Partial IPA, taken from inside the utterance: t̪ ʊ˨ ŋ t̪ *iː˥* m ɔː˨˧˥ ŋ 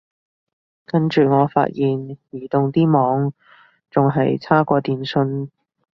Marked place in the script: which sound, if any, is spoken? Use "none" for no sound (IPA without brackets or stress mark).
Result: iː˥